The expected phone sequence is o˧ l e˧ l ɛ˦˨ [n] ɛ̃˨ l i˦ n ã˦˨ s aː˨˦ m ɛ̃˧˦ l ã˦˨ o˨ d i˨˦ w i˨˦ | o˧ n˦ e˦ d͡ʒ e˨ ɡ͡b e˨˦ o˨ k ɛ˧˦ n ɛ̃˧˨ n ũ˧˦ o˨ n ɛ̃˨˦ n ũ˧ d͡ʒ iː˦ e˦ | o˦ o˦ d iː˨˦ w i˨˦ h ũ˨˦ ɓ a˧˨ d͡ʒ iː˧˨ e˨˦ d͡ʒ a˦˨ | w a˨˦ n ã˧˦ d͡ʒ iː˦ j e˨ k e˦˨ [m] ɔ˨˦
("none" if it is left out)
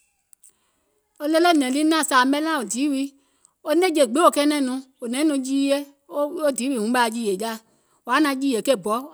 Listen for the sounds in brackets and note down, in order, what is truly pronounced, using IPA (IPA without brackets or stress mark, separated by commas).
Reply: n, b